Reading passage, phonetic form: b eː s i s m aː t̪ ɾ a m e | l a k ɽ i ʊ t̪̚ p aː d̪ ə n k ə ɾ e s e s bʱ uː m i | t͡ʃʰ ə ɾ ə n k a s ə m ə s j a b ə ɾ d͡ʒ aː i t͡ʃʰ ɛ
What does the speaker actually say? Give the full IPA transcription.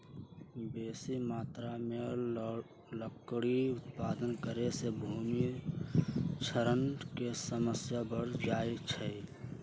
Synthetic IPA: b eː s i m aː t̪ ɾ a m e | l ə k ɽ i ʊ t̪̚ p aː d̪ ə n k ə ɾ e s e bʱ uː m i | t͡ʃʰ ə ɾ ə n k e s ə m ə s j a b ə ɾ d͡ʒ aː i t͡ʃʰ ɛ